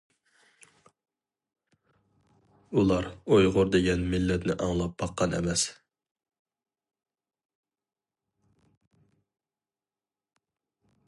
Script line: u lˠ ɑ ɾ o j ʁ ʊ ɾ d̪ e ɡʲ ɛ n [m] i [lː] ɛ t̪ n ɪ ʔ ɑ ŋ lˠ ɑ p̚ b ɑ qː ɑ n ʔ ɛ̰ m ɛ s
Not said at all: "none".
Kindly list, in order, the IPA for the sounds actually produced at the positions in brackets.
m, lː

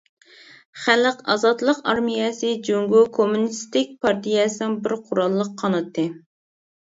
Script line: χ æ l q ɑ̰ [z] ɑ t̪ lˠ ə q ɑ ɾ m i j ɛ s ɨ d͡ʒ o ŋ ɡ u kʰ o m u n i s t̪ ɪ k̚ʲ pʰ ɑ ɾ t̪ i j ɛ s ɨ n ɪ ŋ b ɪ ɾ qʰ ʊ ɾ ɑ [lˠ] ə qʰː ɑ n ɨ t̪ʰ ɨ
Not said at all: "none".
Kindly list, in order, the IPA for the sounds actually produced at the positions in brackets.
z, lˠː

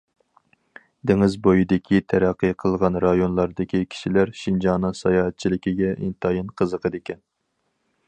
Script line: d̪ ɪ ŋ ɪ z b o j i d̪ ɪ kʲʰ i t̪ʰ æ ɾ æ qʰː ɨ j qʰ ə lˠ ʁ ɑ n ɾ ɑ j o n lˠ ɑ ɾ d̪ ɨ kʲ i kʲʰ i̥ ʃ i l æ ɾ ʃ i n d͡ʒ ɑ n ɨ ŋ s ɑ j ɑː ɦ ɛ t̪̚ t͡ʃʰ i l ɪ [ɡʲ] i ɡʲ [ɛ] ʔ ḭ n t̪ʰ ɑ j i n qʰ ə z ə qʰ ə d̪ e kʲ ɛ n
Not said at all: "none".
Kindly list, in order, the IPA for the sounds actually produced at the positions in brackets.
kʲ, ɛ

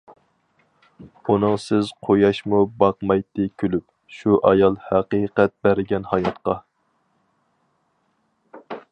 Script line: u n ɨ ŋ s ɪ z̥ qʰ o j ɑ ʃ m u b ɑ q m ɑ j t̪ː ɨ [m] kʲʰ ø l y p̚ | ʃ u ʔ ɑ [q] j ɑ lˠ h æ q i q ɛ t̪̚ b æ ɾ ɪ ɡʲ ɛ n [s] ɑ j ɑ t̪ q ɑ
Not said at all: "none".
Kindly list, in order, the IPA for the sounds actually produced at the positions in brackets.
none, none, h

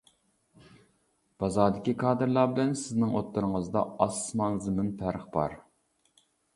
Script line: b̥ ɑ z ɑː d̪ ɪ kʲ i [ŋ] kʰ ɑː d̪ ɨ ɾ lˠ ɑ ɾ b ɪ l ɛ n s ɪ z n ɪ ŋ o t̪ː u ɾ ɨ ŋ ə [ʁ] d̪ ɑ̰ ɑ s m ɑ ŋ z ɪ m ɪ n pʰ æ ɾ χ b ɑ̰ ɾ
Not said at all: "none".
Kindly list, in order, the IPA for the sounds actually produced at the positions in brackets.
none, z

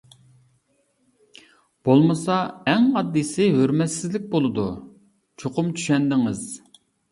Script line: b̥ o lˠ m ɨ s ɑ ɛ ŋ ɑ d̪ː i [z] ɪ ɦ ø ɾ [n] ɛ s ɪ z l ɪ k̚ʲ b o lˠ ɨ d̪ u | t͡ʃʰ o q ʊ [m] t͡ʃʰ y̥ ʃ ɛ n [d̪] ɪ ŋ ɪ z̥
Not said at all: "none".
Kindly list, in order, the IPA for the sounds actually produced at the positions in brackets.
s, m, m, d̪

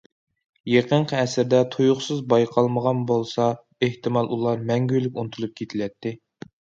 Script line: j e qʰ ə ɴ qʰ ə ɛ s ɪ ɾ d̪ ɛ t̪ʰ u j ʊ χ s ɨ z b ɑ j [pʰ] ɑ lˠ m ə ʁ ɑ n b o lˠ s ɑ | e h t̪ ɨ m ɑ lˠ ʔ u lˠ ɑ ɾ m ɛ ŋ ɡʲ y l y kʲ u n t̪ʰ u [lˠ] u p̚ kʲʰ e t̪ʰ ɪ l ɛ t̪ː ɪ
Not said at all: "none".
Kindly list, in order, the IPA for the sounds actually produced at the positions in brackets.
qʰ, lˠ

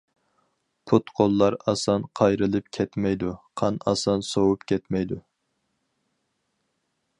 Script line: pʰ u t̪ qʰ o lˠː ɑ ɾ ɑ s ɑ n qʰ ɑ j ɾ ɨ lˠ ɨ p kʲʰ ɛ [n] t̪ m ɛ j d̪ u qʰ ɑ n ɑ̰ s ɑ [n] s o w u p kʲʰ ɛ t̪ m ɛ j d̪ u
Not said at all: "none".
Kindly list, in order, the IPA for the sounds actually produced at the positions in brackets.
none, n

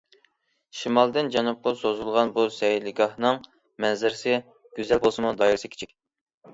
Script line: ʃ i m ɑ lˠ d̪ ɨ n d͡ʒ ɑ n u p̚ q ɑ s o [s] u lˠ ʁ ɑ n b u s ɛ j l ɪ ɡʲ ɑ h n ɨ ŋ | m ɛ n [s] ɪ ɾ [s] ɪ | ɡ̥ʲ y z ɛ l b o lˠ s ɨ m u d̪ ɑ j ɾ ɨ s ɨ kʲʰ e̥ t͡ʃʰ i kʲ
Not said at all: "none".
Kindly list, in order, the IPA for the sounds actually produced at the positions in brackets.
z, z, s

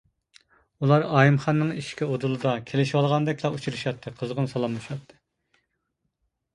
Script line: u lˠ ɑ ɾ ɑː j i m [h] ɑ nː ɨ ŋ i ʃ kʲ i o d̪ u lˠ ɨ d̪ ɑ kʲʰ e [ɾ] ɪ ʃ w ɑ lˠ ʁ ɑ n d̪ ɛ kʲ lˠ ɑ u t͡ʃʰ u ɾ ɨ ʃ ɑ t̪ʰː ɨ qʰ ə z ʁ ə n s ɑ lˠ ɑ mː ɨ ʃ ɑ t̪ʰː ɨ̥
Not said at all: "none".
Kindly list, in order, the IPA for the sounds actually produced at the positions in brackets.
χ, l

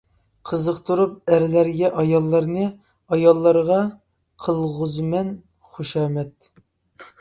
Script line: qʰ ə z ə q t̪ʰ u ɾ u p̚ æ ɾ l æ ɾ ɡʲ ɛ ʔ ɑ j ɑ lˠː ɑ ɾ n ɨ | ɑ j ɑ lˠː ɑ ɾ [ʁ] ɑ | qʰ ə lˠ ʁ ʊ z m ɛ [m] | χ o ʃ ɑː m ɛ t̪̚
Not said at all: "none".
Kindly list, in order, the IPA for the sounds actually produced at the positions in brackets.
ʁ, n

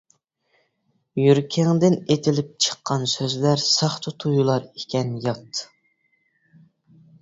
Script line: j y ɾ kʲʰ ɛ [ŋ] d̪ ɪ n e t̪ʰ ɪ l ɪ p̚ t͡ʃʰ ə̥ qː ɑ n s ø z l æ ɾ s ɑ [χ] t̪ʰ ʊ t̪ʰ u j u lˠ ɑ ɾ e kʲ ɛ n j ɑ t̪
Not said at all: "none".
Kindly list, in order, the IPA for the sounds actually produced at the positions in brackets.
ŋ, χ

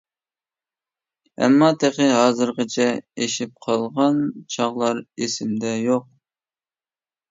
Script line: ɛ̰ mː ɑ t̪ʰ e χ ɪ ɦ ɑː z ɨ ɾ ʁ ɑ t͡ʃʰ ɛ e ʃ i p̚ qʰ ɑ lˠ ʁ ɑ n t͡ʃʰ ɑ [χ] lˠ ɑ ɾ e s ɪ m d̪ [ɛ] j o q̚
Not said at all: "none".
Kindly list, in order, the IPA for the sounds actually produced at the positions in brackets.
ʁ, ɛ

